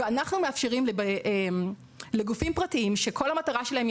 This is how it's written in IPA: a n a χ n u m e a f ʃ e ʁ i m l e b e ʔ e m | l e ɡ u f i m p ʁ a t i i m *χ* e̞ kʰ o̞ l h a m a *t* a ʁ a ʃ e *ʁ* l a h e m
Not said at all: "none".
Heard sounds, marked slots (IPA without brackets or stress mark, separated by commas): ʃ, t, none